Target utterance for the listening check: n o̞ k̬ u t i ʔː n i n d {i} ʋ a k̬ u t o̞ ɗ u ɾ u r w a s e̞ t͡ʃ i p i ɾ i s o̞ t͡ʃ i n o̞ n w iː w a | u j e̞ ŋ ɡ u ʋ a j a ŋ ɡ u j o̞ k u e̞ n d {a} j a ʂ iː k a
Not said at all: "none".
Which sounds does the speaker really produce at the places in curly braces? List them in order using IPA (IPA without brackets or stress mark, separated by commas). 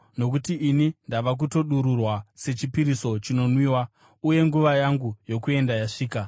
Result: a, a